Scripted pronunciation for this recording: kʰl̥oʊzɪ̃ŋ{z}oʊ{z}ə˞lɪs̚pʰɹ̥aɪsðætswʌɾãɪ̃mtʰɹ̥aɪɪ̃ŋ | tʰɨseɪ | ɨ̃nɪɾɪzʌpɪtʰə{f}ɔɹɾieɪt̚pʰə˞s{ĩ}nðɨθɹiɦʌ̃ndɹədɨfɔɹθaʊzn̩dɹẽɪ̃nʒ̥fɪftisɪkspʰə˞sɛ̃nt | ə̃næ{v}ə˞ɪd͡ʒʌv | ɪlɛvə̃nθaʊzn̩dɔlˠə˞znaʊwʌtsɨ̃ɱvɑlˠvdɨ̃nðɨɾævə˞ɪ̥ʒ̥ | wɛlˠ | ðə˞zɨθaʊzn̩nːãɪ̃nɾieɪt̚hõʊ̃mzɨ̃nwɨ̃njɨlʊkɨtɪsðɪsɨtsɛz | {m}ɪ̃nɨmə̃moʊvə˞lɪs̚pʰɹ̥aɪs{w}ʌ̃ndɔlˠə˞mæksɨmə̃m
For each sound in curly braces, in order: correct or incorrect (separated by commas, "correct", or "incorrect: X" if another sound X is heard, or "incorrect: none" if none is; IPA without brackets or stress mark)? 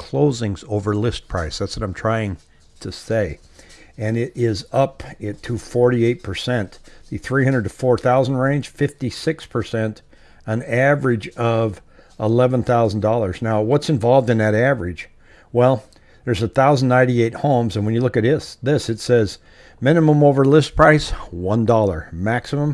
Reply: correct, incorrect: v, correct, incorrect: ɛ̃, correct, correct, correct